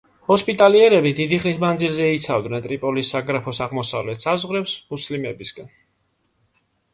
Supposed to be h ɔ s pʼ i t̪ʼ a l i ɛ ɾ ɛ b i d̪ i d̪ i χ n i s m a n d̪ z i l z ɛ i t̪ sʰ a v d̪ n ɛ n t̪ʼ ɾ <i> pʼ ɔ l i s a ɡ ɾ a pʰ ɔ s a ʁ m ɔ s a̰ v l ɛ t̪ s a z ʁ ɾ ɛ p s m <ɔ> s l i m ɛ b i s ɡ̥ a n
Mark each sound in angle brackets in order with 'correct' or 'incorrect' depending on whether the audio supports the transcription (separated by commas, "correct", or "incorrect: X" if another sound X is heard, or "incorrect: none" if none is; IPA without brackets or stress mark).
correct, incorrect: u